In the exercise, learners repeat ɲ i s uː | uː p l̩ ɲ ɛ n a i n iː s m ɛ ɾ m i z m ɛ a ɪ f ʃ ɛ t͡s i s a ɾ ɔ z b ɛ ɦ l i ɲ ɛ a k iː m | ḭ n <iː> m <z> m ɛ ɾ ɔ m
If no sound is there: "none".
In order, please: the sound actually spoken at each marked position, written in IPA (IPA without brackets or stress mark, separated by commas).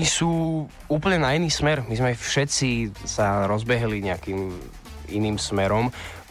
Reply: iː, s